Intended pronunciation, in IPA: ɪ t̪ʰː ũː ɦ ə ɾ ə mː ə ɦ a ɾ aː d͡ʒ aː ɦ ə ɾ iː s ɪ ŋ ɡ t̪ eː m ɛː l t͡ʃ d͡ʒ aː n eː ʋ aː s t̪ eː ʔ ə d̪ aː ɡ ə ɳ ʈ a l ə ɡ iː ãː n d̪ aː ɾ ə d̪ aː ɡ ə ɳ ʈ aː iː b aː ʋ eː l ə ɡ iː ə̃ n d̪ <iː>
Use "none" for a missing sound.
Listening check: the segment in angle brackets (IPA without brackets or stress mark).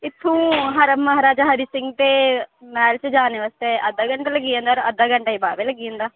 aː